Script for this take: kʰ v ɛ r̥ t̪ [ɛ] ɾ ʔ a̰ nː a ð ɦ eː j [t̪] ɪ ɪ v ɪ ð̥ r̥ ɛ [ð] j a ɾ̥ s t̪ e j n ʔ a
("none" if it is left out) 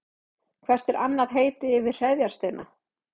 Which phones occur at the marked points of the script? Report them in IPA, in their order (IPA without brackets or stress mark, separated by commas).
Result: ɛ, t̪, ð